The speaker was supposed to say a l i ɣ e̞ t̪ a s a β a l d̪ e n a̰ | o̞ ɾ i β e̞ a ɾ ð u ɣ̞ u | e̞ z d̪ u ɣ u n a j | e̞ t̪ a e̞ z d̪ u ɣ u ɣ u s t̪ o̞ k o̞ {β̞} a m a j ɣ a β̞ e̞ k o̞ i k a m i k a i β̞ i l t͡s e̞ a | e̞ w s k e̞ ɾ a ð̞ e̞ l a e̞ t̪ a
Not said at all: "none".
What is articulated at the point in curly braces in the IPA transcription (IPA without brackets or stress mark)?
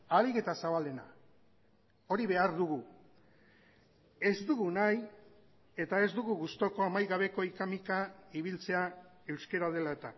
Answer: none